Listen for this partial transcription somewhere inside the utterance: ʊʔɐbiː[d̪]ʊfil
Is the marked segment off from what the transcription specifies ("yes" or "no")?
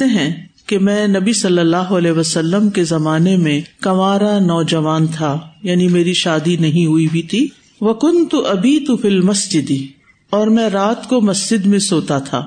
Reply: yes